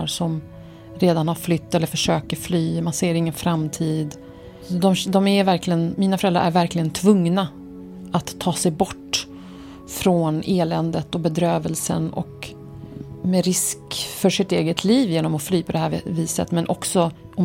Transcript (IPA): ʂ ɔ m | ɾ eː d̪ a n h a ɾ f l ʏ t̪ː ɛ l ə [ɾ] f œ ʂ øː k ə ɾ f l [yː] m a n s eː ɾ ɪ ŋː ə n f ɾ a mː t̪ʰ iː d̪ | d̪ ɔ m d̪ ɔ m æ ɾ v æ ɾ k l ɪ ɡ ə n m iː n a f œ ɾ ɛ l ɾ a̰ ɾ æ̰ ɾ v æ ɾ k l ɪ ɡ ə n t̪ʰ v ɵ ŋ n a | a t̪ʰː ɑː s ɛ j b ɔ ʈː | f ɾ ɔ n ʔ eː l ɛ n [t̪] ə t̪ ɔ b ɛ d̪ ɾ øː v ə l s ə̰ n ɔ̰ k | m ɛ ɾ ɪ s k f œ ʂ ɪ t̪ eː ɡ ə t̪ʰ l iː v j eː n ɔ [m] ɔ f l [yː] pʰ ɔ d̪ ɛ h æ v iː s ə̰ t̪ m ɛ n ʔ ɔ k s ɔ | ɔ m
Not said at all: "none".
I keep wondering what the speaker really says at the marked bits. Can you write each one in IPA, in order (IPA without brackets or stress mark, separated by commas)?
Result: ɾ, yː, d̪, m, yː